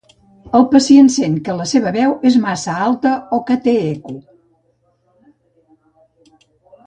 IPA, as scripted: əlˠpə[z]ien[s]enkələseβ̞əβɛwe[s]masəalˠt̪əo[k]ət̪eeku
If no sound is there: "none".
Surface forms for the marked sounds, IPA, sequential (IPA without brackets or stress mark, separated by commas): s, s, z, k